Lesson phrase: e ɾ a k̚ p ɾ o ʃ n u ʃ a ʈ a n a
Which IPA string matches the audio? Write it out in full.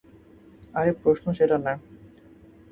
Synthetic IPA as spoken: a ɾ e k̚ p ɾ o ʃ n o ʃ e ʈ a n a